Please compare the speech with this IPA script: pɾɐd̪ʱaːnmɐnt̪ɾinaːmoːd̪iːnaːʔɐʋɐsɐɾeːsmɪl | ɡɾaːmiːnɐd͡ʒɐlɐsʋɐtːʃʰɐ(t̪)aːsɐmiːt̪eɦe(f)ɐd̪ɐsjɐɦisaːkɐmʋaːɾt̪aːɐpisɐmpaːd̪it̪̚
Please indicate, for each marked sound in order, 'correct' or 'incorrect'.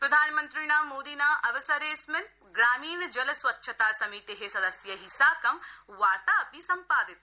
correct, incorrect

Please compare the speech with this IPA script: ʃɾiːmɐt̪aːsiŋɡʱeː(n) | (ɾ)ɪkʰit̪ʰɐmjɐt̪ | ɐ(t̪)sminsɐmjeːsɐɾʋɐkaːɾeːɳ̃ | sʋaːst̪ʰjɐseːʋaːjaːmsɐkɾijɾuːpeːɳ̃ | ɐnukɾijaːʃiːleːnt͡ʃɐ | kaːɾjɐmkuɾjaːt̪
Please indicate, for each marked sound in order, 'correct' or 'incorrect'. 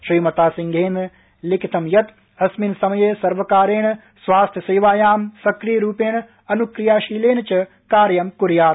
correct, incorrect, incorrect

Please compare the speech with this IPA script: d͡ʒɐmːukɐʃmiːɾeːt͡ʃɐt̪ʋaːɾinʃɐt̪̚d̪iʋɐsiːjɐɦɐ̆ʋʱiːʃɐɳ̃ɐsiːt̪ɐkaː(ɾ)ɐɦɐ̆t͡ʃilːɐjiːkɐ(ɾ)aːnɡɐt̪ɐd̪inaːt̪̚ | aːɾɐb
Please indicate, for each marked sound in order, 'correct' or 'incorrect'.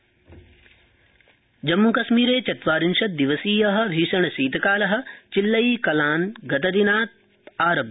incorrect, incorrect

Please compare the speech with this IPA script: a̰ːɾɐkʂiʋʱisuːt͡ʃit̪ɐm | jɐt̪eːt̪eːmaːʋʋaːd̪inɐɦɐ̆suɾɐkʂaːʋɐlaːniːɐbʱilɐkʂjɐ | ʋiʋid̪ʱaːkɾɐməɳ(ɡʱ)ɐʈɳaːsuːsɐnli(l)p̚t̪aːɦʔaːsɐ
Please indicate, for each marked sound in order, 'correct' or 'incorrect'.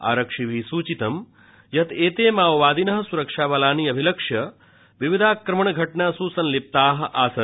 correct, incorrect

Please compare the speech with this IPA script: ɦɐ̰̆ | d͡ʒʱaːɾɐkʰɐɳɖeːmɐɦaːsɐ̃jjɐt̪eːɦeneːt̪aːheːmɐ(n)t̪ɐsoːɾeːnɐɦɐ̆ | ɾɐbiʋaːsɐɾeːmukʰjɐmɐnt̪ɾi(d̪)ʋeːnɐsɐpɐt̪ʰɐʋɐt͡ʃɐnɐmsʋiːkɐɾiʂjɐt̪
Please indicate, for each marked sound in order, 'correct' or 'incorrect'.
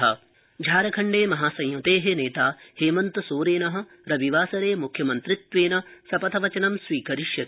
correct, incorrect

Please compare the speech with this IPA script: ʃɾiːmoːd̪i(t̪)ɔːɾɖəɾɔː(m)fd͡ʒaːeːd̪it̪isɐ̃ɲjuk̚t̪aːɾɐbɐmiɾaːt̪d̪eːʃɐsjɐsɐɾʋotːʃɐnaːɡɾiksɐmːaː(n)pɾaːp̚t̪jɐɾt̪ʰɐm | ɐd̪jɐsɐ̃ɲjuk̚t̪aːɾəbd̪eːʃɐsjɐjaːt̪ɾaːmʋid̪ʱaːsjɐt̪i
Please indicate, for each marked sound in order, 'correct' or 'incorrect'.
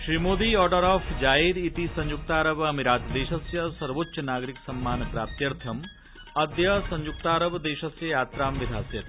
incorrect, incorrect, correct

